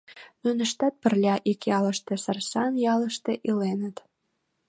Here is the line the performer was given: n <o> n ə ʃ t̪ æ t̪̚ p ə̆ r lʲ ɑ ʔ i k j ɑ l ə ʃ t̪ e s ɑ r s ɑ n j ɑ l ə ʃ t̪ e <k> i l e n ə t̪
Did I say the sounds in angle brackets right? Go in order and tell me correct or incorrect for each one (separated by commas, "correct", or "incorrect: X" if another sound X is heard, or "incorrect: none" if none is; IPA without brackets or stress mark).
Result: incorrect: u, incorrect: ʔ